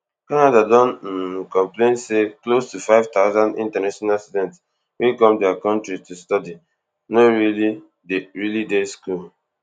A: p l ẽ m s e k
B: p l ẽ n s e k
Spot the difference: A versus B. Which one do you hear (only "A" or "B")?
B